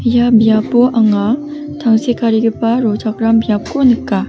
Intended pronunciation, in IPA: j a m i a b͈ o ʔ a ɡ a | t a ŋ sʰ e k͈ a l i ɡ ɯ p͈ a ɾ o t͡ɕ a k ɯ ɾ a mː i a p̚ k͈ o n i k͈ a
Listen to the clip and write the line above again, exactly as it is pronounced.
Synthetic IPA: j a m i a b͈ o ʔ a ŋ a | t a ŋ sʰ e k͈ a ɾ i ɡ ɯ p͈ a ɾ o t͡ɕ a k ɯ ɾ a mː i a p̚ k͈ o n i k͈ a

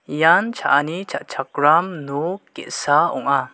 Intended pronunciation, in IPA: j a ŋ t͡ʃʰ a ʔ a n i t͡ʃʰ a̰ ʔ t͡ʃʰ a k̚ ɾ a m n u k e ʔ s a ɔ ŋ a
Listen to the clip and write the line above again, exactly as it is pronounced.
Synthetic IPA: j a n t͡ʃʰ a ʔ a n i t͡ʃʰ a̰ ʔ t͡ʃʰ a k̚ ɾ a m n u k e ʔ s a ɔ ŋ a

